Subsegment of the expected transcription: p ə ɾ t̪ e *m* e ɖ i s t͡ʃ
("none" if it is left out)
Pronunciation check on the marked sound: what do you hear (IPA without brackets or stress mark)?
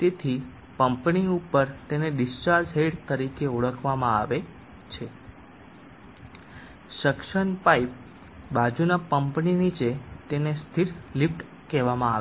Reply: n